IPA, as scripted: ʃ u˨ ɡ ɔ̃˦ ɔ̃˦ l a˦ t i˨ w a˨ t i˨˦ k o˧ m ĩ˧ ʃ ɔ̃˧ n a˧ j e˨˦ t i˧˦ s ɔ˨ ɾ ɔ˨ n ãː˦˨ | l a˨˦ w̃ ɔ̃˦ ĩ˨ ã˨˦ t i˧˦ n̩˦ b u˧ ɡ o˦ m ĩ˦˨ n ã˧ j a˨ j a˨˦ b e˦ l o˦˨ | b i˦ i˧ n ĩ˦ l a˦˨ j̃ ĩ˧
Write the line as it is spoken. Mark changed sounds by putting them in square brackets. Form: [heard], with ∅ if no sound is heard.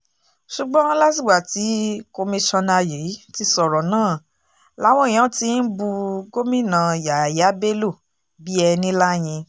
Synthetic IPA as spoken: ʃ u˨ [ɡ͡b] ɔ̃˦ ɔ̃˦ l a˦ t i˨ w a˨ t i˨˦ k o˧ m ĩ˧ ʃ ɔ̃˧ n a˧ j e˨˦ t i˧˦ s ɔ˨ ɾ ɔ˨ n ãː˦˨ | l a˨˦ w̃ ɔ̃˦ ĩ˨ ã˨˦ t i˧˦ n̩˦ b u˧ ɡ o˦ m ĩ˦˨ n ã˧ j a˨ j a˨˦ b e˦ l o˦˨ | b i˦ [ɛ˧] n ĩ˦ l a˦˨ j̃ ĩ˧